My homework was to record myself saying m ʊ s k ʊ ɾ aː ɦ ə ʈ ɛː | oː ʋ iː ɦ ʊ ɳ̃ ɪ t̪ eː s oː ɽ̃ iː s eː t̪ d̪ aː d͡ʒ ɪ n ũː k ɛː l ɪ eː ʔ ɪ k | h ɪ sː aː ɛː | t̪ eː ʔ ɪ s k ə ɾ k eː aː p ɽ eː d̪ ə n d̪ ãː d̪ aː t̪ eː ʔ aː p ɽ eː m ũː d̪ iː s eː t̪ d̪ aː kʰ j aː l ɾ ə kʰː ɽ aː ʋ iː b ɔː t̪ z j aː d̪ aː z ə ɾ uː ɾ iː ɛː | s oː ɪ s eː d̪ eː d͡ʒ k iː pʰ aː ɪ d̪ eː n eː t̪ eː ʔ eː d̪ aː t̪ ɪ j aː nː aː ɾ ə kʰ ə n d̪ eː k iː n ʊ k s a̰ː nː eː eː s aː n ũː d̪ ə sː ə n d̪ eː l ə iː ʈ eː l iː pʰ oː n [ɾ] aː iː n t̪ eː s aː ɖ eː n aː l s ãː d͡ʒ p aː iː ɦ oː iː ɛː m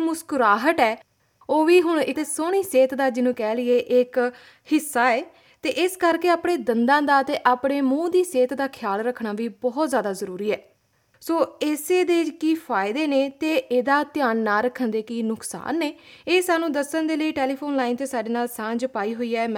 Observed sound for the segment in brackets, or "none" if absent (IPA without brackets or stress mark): l